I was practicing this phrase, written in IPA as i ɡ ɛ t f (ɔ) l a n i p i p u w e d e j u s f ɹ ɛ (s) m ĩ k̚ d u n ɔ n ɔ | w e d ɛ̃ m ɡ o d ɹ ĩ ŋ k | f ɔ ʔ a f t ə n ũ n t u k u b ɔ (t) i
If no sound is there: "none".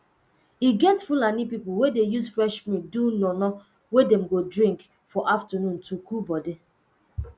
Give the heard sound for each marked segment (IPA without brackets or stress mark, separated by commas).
u, ʃ, d